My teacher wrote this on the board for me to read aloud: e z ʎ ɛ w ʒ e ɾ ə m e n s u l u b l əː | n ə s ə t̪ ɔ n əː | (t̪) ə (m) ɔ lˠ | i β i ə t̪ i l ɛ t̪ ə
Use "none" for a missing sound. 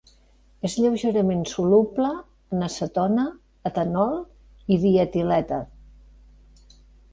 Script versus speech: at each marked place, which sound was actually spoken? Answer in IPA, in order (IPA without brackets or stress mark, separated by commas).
t̪, n